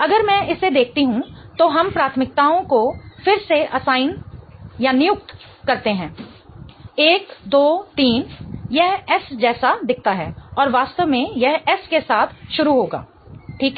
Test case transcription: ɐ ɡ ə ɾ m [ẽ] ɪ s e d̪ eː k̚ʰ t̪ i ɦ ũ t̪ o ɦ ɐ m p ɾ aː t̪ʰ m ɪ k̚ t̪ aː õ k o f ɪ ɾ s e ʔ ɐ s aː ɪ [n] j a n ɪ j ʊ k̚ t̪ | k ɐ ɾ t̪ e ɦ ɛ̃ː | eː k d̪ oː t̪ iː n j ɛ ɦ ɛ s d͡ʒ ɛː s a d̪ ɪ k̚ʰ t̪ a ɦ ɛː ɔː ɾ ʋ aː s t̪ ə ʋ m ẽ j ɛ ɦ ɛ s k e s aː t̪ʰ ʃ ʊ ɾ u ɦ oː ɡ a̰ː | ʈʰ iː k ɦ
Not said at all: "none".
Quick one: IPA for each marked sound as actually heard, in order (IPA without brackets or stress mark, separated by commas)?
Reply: ɛ̃, n